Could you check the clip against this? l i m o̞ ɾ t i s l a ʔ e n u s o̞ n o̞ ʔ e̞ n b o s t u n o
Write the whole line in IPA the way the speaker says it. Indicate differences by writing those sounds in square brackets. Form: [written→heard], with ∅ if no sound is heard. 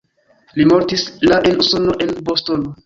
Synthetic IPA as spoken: l i m o̞ ɾ t i s l a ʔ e n u s o̞ n o̞ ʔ e̞ n b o s t [u→o] n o